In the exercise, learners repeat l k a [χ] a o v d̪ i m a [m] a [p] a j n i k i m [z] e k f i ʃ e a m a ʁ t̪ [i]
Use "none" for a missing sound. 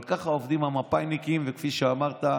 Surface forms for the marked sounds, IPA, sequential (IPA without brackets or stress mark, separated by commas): χ, m, p, v, a